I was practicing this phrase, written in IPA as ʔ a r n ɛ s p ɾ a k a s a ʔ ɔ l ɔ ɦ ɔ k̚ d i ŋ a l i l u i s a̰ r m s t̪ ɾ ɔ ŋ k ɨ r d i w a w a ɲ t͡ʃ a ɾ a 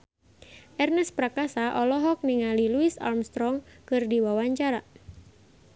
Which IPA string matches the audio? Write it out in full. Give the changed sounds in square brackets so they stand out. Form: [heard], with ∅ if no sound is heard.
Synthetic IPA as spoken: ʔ [ɛ] r n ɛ s p ɾ a k a s a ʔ ɔ l ɔ ɦ ɔ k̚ [n] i ŋ a l i l u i s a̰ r m s t̪ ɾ ɔ ŋ k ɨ r d i w a w a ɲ t͡ʃ a ɾ a

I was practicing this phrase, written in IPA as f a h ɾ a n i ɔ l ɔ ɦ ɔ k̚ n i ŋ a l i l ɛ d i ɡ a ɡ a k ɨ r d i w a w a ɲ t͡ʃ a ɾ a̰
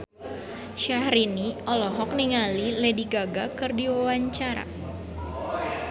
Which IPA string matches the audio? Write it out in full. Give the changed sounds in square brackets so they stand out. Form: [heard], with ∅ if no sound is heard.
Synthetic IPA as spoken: [ʃ] a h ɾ [i] n i ɔ l ɔ ɦ ɔ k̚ n i ŋ a l i l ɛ d i ɡ a ɡ a k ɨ r d i w a w a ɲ t͡ʃ a ɾ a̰

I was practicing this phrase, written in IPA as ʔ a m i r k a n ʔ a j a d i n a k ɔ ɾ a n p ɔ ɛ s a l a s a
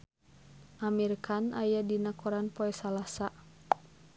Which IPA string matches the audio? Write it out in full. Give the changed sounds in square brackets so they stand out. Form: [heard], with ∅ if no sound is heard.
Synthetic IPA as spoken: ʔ a m i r k a n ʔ a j a d i n a k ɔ ɾ a n p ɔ ɛ s a l a s a

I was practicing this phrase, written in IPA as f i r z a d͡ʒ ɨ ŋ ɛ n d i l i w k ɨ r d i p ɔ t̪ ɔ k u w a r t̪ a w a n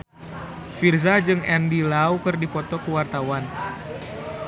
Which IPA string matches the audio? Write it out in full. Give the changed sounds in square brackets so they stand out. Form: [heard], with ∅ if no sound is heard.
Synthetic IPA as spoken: f i r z a d͡ʒ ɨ ŋ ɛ n d i l [a] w k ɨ r d i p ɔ t̪ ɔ k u w a r t̪ a w a n

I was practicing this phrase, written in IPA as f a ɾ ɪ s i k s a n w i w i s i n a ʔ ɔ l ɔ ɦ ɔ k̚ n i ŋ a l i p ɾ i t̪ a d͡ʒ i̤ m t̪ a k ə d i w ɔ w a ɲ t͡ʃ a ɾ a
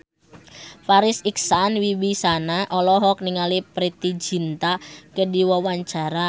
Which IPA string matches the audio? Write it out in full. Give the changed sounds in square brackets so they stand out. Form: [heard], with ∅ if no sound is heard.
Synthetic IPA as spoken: f a ɾ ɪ s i k s a n w i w i s [a] n a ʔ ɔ l ɔ ɦ ɔ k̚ n i ŋ a l i p ɾ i t̪ [i] d͡ʒ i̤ [n] t̪ a k ə d i w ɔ w a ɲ t͡ʃ a ɾ a

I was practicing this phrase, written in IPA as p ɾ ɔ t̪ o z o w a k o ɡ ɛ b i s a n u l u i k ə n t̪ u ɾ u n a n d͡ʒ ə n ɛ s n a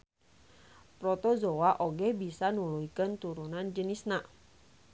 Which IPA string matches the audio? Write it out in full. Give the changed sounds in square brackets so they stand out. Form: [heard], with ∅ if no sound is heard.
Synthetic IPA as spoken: p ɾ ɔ t̪ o z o w a [ʔ] o ɡ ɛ b i s a n u l u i k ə n t̪ u ɾ u n a n d͡ʒ ə n [i] s n a

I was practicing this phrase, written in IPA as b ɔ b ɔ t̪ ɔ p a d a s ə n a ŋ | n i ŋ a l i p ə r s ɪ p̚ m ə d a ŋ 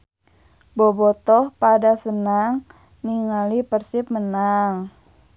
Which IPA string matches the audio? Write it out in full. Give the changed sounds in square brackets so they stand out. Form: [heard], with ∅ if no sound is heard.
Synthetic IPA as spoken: b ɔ b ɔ t̪ ɔ p a d a s ə n a ŋ | n i ŋ a l i p ə r s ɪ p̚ m ə [n] a ŋ

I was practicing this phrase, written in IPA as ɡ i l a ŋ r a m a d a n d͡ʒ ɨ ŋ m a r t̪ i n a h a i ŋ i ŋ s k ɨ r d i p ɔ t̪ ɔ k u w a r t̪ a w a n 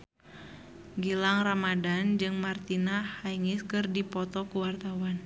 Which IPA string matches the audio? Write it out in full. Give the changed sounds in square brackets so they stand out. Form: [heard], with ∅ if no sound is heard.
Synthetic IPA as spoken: ɡ i l a ŋ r a m a d a n d͡ʒ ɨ ŋ m a r t̪ i n a h a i ŋ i [∅] s k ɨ r d i p ɔ t̪ ɔ k u w a r t̪ a w a n

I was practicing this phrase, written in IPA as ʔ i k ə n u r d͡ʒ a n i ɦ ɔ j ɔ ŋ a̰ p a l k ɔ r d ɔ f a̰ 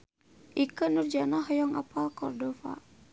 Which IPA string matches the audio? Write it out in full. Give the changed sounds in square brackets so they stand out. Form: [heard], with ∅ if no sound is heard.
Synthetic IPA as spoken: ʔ i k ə n u r d͡ʒ a n [a] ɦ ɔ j ɔ ŋ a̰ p a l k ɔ r d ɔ f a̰

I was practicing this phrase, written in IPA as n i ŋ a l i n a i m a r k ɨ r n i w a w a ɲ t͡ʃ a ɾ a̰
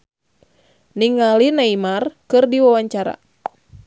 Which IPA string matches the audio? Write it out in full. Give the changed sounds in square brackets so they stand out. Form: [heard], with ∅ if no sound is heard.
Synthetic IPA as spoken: n i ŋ a l i n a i m a r k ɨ r [d] i w a w a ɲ t͡ʃ a ɾ a̰

